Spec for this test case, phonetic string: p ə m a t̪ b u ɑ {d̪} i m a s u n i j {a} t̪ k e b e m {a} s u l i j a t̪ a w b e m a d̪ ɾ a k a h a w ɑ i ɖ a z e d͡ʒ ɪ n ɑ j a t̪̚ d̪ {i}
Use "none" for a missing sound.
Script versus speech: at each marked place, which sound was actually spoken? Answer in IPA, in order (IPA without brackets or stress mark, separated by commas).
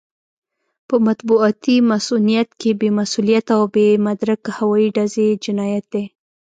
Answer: t̪, a, a, e